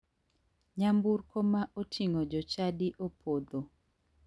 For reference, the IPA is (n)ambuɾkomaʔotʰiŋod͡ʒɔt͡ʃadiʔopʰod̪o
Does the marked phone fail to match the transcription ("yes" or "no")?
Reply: yes